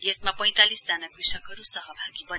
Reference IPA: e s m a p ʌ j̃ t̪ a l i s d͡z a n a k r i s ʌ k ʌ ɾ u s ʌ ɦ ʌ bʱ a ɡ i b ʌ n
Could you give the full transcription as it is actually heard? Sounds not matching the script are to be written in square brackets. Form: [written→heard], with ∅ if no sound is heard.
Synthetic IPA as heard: e s m a p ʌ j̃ t̪ a l i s d͡z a n a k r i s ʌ k ʌ ɾ u s ʌ ɦ ʌ bʱ a ɡ i b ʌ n